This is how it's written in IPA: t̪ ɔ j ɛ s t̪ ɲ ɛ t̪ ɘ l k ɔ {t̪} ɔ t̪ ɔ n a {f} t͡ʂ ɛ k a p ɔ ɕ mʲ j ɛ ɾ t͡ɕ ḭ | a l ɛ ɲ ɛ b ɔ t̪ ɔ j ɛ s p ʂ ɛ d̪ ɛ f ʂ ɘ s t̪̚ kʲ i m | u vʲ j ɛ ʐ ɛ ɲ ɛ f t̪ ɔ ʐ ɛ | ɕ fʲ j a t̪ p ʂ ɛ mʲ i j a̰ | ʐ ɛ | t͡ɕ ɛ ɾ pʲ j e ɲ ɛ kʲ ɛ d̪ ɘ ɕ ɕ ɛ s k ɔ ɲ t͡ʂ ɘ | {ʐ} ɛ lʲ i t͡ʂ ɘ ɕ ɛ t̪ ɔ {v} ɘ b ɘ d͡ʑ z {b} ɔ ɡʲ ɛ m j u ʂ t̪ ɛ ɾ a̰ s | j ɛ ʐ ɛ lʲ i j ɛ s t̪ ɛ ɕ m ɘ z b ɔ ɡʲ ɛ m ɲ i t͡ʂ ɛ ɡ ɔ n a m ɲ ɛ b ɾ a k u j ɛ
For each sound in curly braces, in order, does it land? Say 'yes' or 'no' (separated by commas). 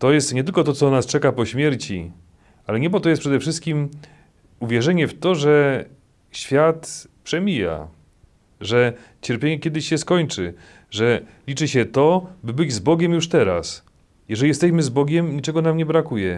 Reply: yes, no, yes, no, yes